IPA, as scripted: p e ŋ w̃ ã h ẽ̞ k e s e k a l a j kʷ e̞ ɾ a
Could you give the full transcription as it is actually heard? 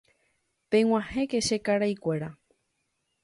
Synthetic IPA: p e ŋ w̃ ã h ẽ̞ k e ʃ e k a ɾ a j kʷ e̞ ɾ a